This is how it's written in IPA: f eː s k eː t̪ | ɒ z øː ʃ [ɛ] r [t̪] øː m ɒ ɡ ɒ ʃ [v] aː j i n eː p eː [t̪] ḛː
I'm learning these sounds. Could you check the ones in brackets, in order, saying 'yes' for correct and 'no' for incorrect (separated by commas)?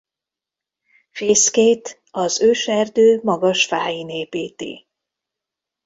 yes, no, no, yes